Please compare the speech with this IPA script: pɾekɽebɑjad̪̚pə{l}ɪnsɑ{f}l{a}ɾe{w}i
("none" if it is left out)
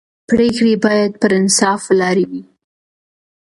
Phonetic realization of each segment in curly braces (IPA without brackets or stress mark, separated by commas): ɾ, f, ɑ, w